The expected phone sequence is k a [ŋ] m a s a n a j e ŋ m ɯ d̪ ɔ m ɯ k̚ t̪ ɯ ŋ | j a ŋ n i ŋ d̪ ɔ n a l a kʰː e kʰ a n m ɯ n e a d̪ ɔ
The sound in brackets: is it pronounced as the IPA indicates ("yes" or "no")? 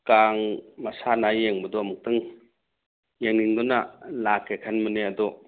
yes